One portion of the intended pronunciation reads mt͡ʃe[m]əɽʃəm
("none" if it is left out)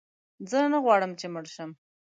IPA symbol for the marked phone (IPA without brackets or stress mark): m